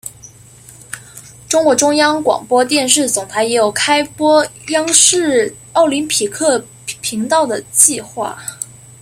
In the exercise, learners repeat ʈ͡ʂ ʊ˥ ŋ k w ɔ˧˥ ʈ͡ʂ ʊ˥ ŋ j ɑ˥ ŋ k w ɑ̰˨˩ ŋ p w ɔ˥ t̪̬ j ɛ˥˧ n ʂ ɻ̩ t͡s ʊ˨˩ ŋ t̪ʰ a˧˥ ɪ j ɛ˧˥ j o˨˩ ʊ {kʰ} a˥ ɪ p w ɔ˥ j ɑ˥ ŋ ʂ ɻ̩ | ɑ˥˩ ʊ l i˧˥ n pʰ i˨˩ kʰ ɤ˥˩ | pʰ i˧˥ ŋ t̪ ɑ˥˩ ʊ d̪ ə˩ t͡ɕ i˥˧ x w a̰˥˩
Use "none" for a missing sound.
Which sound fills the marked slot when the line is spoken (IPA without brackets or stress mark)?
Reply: kʰ